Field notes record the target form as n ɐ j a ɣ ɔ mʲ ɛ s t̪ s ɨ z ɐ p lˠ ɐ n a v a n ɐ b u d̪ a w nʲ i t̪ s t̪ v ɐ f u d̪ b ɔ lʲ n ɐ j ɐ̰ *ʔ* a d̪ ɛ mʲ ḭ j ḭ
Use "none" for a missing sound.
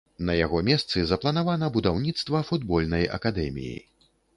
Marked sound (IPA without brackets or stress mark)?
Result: k